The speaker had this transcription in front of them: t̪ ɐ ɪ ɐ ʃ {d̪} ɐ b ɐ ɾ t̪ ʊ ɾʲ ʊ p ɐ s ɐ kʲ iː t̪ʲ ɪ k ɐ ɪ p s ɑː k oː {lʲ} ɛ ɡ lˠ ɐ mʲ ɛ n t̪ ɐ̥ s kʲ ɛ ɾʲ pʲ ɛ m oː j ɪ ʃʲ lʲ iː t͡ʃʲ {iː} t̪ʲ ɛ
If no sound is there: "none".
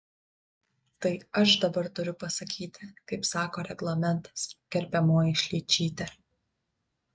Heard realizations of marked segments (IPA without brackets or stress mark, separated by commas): d̪, ɾʲ, iː